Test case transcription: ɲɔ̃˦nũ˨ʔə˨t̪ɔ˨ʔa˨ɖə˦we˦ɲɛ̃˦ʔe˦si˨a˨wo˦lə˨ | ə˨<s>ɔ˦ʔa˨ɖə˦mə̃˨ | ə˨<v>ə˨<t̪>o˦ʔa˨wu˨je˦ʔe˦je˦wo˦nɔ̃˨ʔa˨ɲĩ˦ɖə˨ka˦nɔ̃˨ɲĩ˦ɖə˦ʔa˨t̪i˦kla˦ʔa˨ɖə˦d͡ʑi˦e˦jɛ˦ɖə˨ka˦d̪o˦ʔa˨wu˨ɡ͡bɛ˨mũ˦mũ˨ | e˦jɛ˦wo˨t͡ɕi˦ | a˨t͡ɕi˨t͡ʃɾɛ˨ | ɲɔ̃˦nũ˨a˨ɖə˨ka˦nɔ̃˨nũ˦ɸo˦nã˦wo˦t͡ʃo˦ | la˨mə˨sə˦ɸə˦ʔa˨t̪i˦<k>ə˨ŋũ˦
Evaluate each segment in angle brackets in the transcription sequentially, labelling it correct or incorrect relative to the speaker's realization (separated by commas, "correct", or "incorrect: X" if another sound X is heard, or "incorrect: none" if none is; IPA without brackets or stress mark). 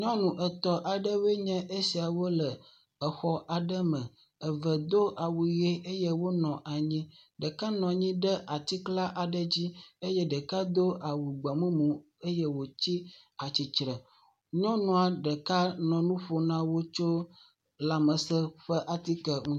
incorrect: x, correct, incorrect: d̪, correct